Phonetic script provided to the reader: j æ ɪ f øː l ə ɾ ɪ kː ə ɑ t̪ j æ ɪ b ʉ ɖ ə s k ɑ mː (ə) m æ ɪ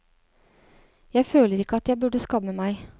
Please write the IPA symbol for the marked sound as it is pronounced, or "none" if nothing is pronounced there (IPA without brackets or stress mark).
ə